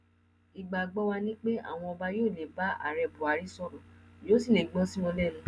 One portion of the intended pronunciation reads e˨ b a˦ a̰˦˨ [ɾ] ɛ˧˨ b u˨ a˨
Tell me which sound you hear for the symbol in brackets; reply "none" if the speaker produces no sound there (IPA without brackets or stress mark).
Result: ɾ